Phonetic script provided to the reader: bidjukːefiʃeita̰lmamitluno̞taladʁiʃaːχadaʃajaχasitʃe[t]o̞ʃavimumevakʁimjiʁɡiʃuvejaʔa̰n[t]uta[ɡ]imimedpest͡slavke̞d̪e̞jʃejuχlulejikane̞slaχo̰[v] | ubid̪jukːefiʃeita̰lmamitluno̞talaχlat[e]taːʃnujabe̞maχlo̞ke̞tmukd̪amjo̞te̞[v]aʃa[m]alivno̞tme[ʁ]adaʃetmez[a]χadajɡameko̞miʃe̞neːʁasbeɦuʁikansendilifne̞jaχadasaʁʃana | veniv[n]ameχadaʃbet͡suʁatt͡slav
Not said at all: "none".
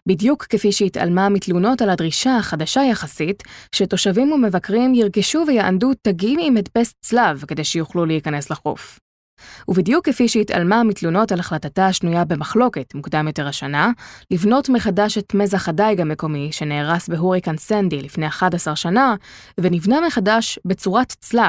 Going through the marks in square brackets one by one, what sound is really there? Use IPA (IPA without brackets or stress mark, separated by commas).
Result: t, d, ɡ, f, a, ʁ, n, χ, a, n